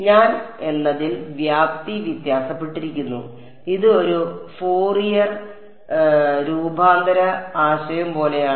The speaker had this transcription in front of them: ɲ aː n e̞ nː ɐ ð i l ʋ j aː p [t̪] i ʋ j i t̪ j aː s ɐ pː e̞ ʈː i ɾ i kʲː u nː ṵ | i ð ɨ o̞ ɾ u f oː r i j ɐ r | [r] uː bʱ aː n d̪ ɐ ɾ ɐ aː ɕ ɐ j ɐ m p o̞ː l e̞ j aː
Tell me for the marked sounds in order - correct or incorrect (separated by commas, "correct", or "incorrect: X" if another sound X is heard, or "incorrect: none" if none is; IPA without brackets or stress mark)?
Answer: correct, incorrect: ɾ